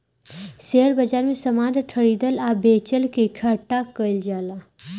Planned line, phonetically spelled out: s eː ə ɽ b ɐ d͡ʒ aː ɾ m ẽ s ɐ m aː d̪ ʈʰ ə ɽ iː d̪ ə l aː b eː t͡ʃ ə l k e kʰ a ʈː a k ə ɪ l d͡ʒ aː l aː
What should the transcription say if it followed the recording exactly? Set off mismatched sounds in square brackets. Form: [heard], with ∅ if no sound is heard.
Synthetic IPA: s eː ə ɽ b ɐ d͡ʒ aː ɾ m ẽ s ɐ m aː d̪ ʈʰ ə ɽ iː d̪ ə l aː b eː t͡ʃ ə l k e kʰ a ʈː a k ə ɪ l d͡ʒ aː l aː